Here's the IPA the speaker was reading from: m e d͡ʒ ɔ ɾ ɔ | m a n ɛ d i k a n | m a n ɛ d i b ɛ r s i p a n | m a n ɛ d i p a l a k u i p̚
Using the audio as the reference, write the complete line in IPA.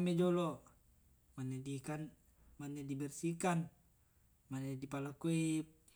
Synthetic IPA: m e d͡ʒ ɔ l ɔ | m a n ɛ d i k a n | m a n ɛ d i b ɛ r s i k a n | m a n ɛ d i p a l a k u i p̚